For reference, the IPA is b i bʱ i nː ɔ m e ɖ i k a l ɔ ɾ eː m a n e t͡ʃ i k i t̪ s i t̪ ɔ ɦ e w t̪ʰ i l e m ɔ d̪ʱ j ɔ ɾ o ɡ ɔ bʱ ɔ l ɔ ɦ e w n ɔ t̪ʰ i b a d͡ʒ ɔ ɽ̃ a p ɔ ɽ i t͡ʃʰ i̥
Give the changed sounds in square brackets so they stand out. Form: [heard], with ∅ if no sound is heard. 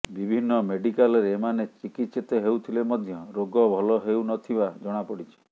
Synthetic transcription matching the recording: b i bʱ i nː ɔ m e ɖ i k a l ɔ ɾ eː m a n e t͡ʃ i k i t̪ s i t̪ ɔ ɦ e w t̪ʰ i l e m ɔ d̪ʱ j ɔ ɾ o ɡ ɔ bʱ ɔ l ɔ ɦ e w n ɔ t̪ʰ i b a d͡ʒ ɔ ɽ̃ a p ɔ ɽ i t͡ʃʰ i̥